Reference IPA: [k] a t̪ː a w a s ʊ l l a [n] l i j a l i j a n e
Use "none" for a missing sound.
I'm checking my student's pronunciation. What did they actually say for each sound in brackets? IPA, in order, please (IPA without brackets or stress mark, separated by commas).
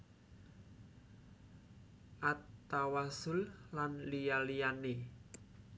ʔ, n